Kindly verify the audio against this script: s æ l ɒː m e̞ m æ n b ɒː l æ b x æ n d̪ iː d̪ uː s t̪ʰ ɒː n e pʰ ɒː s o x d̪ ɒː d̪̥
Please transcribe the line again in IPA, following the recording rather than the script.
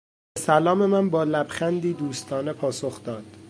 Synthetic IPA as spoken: s æ l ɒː m e̞ m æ n b ɒː l æ b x æ n d̪ iː d̪ uː s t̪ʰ ɒː n e pʰ ɒː s o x d̪ ɒː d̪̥

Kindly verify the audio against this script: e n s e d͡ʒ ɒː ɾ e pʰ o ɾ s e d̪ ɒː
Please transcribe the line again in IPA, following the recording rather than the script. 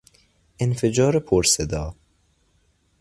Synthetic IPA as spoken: e n f e d͡ʒ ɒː ɾ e pʰ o ɾ s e d̪ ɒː

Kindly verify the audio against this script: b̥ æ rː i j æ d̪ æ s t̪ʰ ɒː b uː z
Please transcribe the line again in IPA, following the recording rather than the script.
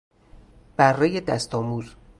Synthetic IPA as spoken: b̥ æ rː e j e d̪ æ s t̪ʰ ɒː m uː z

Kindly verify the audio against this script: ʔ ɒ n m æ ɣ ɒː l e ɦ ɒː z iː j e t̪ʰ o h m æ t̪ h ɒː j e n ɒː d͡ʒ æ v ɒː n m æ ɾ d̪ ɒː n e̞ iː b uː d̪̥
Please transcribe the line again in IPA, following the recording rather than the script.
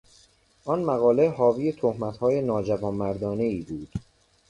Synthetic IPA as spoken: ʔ ɒ n m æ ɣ ɒː l e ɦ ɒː v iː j e t̪ʰ o h m æ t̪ h ɒː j e n ɒː d͡ʒ æ v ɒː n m æ ɾ d̪ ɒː n e̞ iː b uː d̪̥

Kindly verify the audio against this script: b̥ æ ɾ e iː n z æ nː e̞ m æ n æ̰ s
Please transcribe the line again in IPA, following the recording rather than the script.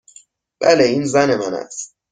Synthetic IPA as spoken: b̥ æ l e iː n z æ n e̞ m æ n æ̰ s

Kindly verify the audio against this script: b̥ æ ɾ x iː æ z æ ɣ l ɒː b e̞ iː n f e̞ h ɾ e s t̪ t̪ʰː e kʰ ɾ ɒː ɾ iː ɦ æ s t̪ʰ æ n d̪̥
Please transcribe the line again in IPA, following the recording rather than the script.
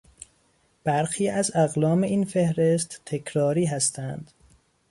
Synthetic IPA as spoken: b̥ æ ɾ x iː æ z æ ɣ l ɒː m e̞ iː n f e̞ h ɾ e s t̪ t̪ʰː e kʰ ɾ ɒː ɾ iː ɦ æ s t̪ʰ æ n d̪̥

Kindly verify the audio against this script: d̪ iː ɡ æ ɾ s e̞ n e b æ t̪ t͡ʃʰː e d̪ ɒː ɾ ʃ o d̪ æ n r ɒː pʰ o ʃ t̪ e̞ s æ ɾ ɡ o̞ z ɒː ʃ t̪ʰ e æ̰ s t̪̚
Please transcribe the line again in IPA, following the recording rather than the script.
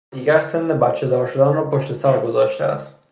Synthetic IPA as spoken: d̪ iː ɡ æ ɾ s e̞ nː e b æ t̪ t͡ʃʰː e d̪ ɒː ɾ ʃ o d̪ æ n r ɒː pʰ o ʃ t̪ e̞ s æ ɾ ɡ o̞ z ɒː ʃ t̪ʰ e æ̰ s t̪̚

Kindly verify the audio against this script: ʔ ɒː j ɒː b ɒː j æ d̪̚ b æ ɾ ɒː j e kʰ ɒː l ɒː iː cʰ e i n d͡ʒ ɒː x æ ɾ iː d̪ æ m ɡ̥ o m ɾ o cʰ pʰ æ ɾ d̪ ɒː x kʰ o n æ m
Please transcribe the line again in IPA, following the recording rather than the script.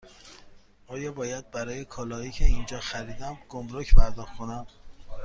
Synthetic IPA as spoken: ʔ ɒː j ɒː b ɒː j æ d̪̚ b æ ɾ ɒː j e kʰ ɒː l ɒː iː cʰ e i n d͡ʒ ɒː x æ ɾ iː d̪ æ m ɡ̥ o m ɾ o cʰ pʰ æ ɾ d̪ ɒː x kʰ o n æ m

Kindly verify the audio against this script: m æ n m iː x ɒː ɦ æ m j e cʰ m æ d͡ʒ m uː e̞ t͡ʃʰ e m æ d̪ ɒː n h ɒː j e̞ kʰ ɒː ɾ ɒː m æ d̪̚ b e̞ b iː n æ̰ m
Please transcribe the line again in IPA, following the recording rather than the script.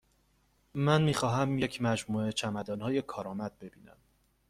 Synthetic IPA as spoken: m æ n m iː x ɒː ɦ æ m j e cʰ m æ d͡ʒ m uː e̞ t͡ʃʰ æ m æ d̪ ɒː n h ɒː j e̞ kʰ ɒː ɾ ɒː m æ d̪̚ b e̞ b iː n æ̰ m

